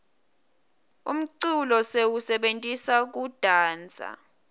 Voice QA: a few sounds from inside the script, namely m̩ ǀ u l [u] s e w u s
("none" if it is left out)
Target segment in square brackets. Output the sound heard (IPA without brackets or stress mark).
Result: ɔ